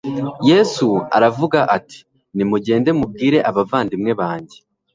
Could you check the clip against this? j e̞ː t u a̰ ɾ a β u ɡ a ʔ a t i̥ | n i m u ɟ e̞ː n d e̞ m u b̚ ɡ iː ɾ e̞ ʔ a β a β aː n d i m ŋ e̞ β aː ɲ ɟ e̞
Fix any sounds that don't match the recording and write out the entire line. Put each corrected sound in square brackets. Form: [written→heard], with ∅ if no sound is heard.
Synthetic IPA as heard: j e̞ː [t→s] u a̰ ɾ a [β→v] u ɡ a ʔ a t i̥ | n i m u ɟ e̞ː n d e̞ m u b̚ ɡ iː ɾ e̞ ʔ a β a [β→v] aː n d i m ŋ e̞ β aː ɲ ɟ e̞